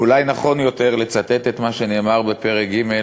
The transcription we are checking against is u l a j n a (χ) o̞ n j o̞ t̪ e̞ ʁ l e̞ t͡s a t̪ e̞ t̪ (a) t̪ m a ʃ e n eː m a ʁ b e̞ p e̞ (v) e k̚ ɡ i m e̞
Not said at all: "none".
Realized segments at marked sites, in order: χ, e, ʁ

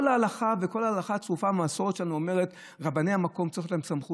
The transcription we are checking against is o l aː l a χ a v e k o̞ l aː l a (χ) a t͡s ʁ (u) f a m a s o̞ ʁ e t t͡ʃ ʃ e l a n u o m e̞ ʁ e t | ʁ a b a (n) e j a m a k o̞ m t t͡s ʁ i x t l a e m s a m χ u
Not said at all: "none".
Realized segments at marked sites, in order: χ, u, n

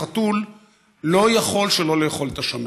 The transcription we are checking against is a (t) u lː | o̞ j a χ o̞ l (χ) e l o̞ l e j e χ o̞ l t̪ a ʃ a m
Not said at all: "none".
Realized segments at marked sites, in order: t, ʃ

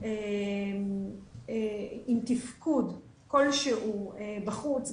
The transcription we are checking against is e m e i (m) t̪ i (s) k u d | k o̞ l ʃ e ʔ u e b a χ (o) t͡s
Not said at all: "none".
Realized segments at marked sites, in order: m, f, u

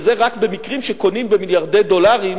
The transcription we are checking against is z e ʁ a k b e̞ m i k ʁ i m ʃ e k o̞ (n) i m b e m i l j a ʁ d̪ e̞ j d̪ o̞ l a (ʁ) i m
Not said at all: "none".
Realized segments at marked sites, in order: n, ʁ

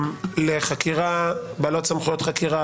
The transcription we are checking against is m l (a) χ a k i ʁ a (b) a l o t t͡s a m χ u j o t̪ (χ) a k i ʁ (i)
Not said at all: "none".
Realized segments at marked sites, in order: e, b, χ, a

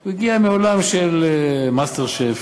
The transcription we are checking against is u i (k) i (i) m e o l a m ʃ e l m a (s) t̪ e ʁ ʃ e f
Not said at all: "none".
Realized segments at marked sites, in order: ɡ, a, s

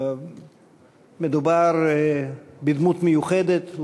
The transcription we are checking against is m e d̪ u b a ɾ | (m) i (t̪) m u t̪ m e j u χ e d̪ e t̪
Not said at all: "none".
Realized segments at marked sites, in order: b, d̪

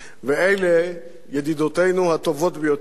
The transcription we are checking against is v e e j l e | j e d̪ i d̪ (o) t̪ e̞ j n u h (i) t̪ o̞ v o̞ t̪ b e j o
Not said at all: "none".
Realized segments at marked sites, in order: o, a

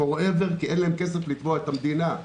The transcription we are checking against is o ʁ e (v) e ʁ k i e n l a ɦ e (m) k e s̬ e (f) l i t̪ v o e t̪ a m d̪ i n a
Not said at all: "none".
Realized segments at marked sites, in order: v, m, f

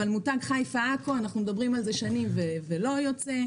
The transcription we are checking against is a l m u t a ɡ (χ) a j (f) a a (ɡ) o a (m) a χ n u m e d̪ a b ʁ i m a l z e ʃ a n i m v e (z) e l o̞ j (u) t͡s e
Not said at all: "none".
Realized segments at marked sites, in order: χ, f, k, n, v, o

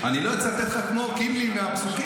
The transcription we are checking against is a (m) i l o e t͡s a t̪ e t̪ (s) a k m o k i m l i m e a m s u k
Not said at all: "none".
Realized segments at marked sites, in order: n, χ

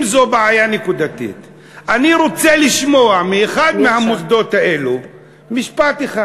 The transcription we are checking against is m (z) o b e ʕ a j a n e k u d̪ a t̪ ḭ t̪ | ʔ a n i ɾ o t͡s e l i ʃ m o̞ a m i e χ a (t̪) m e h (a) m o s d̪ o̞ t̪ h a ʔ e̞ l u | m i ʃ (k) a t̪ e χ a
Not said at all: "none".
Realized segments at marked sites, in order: z, d̪, a, p

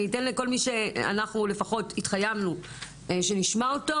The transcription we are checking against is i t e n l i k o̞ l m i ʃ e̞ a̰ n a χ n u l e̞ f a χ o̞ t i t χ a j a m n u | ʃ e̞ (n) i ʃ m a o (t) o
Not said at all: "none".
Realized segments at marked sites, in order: n, t

